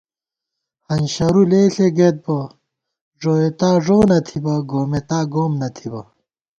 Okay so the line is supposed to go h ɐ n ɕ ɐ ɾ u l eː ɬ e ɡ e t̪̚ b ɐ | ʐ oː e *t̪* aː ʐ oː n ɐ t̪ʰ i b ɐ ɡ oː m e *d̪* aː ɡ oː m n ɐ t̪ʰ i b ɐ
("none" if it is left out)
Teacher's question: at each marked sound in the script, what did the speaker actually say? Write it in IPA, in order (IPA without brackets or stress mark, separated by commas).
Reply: t̪, t̪